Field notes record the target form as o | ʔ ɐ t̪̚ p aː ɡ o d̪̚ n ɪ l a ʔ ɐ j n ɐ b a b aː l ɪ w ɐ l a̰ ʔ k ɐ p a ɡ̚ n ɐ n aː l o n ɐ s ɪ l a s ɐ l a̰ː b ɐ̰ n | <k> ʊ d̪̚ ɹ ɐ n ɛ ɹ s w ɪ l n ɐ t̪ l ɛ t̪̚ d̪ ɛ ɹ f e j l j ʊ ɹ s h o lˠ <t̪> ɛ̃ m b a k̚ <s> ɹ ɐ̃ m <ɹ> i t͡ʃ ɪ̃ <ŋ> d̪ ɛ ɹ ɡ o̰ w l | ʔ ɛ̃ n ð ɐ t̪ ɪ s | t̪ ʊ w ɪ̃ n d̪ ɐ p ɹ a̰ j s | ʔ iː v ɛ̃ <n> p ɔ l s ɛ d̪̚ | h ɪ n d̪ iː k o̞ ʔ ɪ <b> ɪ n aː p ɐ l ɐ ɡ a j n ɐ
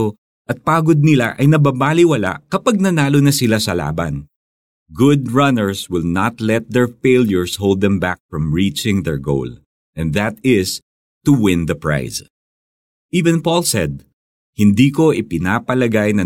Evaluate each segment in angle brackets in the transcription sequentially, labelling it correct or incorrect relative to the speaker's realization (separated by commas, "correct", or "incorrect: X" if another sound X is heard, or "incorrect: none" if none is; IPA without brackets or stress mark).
incorrect: ɡ, incorrect: d̪, incorrect: f, correct, correct, correct, incorrect: p